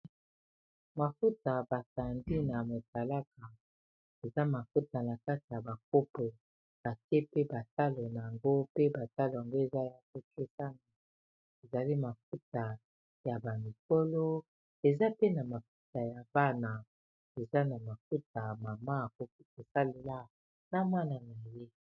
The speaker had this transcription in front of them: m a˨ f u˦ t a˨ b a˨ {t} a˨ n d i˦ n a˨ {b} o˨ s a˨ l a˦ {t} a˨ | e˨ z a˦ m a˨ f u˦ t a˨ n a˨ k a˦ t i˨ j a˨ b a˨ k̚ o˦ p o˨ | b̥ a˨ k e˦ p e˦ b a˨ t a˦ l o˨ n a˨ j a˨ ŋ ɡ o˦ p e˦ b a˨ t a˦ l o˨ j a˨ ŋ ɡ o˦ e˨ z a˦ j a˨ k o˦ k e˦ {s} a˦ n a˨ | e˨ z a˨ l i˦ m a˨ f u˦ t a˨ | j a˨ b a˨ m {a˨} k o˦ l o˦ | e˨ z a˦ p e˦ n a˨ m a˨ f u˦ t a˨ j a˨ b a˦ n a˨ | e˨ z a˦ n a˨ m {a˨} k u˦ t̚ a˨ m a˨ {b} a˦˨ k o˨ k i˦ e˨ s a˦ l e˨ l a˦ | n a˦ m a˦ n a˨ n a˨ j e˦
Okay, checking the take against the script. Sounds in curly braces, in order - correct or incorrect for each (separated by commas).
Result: incorrect, incorrect, incorrect, correct, incorrect, correct, incorrect